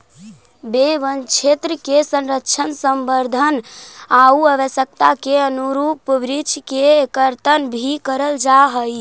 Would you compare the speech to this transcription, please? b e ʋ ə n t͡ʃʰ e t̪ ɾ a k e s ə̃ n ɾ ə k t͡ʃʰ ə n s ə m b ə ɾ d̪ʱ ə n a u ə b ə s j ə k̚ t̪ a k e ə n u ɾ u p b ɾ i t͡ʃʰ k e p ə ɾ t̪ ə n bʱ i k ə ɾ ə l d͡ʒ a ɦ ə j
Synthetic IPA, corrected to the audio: b e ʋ ə n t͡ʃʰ e t̪ ɾ ə k e s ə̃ n ɾ ə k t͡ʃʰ ə n s ə m b ə ɾ d̪ʱ ə n a u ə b ə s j ə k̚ t̪ a k e ə n u ɾ u p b ɾ i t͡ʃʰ k e k ə ɾ t̪ ə n bʱ i k ə ɾ ə l d͡ʒ a ɦ ə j